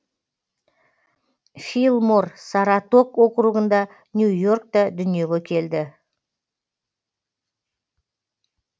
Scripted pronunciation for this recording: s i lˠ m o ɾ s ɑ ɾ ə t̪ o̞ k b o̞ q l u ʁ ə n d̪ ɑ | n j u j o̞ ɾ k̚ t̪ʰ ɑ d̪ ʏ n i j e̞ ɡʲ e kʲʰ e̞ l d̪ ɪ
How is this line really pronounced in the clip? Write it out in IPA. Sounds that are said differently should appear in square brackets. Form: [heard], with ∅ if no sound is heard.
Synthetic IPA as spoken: [f] i lˠ m o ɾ s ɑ ɾ [ɑ] t̪ o̞ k [w] o̞ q [ɾ] u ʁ ə n d̪ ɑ | n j u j o̞ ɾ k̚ [t̪] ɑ d̪ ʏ n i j e̞ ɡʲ e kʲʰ e̞ l d̪ ɪ